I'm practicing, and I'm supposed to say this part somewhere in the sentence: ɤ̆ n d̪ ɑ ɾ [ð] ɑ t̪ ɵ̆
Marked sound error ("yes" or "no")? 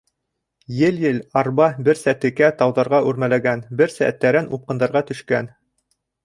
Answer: yes